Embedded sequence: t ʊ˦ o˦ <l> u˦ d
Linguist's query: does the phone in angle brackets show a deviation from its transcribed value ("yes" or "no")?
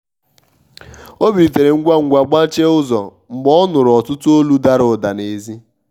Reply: no